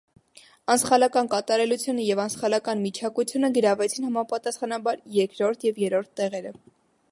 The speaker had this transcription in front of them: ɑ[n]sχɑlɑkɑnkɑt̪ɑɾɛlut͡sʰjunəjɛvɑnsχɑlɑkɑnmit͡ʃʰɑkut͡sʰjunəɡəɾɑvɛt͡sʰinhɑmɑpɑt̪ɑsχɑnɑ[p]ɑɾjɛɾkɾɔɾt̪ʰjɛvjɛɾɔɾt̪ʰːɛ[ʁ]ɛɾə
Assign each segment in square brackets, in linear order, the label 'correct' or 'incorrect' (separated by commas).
correct, incorrect, correct